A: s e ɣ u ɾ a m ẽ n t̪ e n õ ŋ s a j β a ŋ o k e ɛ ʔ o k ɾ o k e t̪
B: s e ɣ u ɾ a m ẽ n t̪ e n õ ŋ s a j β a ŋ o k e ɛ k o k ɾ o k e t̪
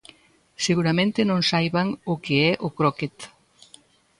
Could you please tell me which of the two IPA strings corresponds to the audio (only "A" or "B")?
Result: A